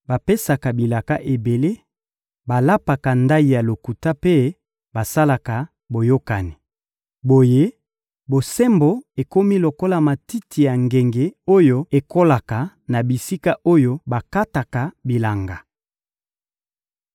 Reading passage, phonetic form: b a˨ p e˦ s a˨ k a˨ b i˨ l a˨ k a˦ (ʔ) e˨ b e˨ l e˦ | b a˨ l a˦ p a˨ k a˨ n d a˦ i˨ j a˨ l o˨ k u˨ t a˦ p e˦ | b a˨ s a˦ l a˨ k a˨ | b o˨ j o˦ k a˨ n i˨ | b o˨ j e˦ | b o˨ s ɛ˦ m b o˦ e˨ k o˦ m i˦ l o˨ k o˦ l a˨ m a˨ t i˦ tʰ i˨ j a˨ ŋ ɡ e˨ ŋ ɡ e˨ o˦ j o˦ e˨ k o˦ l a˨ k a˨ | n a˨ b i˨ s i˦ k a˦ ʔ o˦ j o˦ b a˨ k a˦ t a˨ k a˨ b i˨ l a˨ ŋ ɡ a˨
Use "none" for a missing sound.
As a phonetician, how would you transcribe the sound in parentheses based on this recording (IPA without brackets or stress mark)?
ʔ